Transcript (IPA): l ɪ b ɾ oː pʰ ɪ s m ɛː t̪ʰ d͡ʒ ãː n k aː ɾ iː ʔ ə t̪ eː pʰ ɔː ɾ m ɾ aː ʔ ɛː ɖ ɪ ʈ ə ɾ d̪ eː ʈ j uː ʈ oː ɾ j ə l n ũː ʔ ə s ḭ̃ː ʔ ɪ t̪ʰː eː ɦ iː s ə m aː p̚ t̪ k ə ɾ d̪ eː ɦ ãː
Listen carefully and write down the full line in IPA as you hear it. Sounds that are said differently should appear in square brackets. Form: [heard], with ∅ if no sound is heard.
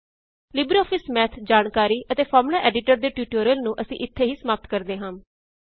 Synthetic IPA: l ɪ b ɾ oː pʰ ɪ s m ɛː t̪ʰ d͡ʒ [aː] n k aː ɾ iː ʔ ə t̪ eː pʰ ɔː ɾ m [l] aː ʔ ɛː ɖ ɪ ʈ ə ɾ d̪ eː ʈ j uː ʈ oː ɾ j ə l n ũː ʔ ə s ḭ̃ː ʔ ɪ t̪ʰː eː ɦ iː s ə m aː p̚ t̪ k ə ɾ d̪ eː ɦ ãː